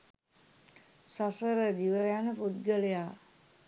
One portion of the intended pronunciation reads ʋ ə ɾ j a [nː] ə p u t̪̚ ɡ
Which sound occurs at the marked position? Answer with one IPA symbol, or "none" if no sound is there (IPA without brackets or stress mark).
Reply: n